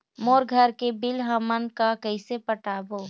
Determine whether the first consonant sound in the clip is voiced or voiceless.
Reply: voiced